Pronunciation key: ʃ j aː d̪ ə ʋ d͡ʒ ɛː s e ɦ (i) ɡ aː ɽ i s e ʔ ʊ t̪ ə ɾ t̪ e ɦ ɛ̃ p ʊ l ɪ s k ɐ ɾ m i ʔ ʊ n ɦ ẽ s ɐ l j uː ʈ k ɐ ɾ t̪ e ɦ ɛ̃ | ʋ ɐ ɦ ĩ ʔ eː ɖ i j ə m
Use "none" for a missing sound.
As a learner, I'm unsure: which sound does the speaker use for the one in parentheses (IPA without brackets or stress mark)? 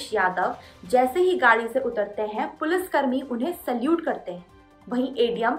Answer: i